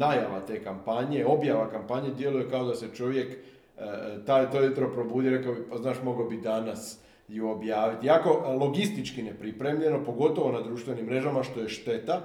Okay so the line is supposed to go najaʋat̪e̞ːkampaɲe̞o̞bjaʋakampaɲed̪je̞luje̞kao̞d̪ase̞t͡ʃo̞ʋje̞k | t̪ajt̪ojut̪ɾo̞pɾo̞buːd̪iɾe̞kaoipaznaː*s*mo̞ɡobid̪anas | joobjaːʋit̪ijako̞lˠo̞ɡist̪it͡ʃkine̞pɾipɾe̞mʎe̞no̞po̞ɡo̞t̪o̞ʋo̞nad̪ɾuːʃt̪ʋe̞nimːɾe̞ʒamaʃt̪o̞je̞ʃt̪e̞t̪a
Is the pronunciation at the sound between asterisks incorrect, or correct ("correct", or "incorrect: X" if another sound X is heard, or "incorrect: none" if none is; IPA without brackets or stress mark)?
incorrect: ʃ